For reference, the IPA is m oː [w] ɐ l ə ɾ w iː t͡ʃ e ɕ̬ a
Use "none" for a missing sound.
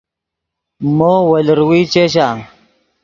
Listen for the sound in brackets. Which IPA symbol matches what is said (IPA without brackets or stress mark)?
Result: w